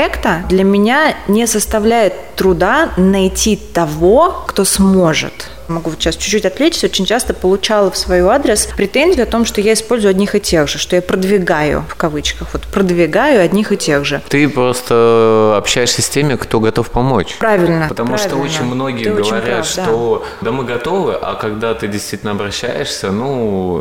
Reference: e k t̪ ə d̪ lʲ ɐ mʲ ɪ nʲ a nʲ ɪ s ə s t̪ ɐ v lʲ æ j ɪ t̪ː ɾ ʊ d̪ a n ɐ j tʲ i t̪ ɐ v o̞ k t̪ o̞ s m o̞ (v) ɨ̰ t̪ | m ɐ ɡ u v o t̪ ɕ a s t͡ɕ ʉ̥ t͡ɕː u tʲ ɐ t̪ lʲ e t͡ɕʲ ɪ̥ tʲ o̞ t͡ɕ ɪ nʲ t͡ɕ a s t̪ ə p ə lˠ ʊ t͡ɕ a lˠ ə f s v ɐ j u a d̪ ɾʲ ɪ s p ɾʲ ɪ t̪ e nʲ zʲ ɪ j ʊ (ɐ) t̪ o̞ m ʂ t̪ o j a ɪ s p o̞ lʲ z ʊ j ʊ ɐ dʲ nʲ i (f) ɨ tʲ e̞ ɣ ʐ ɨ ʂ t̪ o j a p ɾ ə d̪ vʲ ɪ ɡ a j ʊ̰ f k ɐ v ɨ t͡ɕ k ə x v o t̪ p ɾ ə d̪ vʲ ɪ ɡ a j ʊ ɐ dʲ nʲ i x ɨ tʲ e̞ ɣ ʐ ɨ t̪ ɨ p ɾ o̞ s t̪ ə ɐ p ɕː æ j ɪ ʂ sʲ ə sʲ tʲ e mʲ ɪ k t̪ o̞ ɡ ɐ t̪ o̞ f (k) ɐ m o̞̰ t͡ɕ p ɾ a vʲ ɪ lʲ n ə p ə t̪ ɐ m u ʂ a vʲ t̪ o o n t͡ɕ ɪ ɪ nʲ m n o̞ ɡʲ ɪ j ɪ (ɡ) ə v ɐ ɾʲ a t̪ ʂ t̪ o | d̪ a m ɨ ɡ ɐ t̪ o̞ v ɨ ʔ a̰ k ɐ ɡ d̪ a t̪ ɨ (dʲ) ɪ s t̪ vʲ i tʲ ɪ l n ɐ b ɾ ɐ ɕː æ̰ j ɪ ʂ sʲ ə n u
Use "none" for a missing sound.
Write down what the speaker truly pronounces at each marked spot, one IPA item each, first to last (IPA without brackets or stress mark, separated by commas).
ʐ, ɐ, x, p, ɡ, dʲ